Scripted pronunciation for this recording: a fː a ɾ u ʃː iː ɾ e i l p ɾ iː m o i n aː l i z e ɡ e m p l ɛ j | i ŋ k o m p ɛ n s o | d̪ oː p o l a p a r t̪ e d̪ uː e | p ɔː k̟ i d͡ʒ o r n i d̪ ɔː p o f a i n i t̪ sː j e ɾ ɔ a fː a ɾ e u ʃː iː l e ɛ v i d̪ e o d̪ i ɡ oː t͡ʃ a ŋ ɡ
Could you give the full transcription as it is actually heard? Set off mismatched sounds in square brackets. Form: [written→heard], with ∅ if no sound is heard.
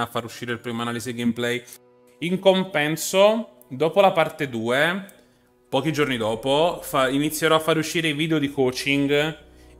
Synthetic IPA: a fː a ɾ u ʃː iː ɾ e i l p ɾ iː m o [i→a] n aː l i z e ɡ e m p l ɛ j | i ŋ k o m p ɛ n s o | d̪ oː p o l a p a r t̪ e d̪ uː e | p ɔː k̟ i d͡ʒ o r n i d̪ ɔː p o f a i n i t̪ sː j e ɾ ɔ a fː a ɾ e u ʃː iː [l→ɾ] e [ɛ→i] v i d̪ e o d̪ i [ɡ→k] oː t͡ʃ [a→i] ŋ ɡ

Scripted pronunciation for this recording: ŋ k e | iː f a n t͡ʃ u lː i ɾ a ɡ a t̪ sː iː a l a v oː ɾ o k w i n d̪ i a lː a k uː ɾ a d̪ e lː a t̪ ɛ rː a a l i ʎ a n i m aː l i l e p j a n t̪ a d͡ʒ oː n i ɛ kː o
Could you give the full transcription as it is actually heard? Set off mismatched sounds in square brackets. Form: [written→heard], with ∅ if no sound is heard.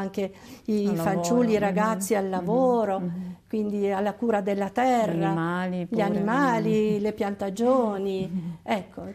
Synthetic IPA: ŋ k e | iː f a n t͡ʃ u lː i ɾ a ɡ a t̪ sː [iː→i] a [l→lː] a v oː ɾ o k w i n d̪ i a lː a k uː ɾ a d̪ e lː a t̪ ɛ rː a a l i ʎ a n i m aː l i l e p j a n t̪ a d͡ʒ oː n i ɛ kː o

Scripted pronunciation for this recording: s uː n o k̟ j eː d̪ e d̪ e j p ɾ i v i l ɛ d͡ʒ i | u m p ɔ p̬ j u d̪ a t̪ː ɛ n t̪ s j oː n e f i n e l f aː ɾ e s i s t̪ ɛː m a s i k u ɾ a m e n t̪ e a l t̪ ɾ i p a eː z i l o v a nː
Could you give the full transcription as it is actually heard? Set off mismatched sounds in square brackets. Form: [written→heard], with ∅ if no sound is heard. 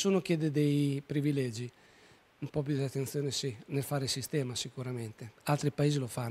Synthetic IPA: s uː n o k̟ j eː d̪ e d̪ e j p ɾ i v i l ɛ d͡ʒ i | u m p ɔ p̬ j u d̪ a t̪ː [ɛ→e] n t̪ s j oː n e [f→s] i n e l f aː ɾ e s i s t̪ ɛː m a s i k u ɾ a m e n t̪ e a l t̪ ɾ i p a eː z i l o [v→f] a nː

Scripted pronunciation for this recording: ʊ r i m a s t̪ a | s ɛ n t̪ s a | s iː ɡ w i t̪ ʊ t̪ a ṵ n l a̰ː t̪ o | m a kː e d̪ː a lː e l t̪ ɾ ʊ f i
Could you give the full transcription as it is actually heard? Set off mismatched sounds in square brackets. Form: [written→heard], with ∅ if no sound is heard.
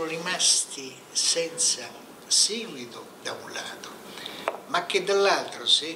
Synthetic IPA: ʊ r i m a s t̪ [a→i] | s ɛ n t̪ s a | s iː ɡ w i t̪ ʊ [t̪→d̪] a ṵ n l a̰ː t̪ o | m a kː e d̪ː a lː [e→a] l t̪ ɾ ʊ [f→s] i

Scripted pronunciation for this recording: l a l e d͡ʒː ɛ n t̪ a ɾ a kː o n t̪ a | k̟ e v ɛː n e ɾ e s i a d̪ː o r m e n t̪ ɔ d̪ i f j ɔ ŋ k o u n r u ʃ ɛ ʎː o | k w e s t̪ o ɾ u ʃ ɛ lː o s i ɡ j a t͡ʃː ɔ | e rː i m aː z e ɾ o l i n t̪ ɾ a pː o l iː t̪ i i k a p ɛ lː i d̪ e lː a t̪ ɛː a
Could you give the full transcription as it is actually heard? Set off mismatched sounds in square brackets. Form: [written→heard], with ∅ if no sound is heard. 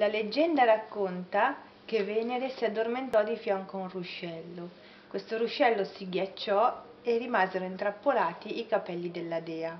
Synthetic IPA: l a l e d͡ʒː ɛ n [t̪→d̪] a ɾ a kː o n t̪ a | k̟ e v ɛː n e ɾ e s i a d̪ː o r m e n t̪ ɔ d̪ i f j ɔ ŋ k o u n r u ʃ ɛ [ʎː→lː] o | k w e s t̪ o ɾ u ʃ ɛ lː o s i ɡ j a t͡ʃː ɔ | e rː i m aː z e ɾ o [l→∅] i n t̪ ɾ a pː o l [iː→aː] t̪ i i k a p ɛ lː i d̪ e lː a [t̪→d̪] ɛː a

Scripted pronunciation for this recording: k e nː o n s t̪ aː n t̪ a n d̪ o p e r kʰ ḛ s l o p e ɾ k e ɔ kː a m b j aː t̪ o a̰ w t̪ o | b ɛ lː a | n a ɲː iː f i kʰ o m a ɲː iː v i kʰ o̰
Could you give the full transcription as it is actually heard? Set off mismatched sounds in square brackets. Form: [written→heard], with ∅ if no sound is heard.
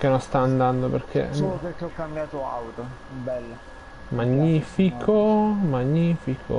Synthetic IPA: k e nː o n s t̪ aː n [t̪→d̪] a n d̪ o p e r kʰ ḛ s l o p e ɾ k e ɔ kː a m b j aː t̪ o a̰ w t̪ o | b ɛ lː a | [n→m] a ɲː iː f i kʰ o m a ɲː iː [v→f] i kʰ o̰

